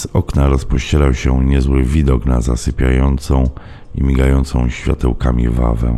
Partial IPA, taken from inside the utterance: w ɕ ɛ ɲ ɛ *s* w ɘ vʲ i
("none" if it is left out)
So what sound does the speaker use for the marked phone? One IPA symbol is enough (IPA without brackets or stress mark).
z